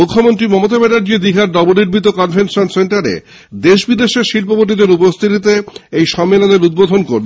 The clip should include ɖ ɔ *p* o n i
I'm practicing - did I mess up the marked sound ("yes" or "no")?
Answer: yes